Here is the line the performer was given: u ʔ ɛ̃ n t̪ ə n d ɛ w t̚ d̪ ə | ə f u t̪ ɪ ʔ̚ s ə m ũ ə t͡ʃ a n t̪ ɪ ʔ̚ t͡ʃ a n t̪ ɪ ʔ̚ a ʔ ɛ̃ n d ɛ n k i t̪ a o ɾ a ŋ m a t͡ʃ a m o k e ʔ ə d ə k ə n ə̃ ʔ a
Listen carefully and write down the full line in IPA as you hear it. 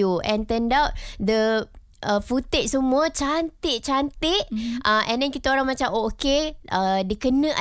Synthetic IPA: u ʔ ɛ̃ n t̪ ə n d a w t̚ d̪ ə | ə f u t̪ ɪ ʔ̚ s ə m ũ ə t͡ʃ a n t̪ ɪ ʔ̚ t͡ʃ a n t̪ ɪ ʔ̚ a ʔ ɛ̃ n d ɛ n k i t̪ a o ɾ a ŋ m a t͡ʃ a m o k e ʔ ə d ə k ə n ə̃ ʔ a